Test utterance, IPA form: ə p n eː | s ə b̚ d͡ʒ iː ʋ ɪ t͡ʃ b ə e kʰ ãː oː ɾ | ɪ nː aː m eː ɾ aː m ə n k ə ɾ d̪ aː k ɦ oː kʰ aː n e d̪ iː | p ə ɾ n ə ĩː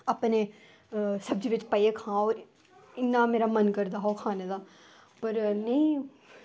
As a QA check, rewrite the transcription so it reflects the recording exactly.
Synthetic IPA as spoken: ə p n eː | s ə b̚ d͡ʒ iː ʋ ɪ t͡ʃ p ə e kʰ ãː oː ɾ | ɪ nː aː m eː ɾ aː m ə n k ə ɾ d̪ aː ɦ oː kʰ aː n e d̪ aː | p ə ɾ n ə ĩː